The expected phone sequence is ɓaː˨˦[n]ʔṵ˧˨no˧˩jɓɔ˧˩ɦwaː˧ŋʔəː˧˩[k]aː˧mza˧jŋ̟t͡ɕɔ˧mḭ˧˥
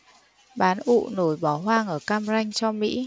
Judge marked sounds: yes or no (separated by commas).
yes, yes